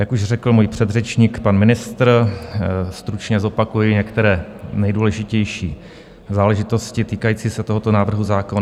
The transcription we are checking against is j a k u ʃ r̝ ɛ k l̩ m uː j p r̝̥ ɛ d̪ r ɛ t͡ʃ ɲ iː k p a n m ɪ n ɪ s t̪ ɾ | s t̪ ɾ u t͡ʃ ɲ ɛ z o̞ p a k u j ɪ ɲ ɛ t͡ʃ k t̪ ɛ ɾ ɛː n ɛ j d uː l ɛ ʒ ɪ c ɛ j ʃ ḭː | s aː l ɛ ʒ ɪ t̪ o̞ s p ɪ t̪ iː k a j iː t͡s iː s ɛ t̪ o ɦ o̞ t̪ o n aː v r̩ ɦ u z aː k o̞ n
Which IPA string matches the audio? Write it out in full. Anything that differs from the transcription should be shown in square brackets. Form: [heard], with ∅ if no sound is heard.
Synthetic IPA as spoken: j a k u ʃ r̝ ɛ k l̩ m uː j p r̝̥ ɛ d̪ r ɛ t͡ʃ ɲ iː k p a n m ɪ n ɪ s t̪ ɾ | s t̪ ɾ u t͡ʃ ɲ ɛ z o̞ p a k u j ɪ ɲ ɛ [∅] k t̪ ɛ ɾ ɛː n ɛ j d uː l ɛ ʒ ɪ c ɛ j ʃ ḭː | [z] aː l ɛ ʒ ɪ t̪ o̞ s [c] ɪ t̪ iː k a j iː t͡s iː s ɛ t̪ o ɦ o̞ t̪ o n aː v r̩ ɦ u z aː k o̞ n